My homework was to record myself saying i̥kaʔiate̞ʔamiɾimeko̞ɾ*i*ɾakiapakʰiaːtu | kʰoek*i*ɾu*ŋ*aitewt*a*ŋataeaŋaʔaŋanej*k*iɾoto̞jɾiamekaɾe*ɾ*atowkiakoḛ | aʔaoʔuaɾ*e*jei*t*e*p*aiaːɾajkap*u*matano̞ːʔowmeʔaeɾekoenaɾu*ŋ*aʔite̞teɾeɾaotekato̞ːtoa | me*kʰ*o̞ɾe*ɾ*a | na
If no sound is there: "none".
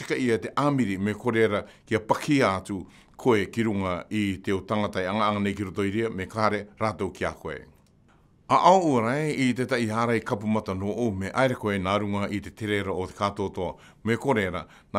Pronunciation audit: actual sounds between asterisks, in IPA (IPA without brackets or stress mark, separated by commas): e, i, ŋ, a, k, ɾ, a, t, t, u, ŋ, k, ɾ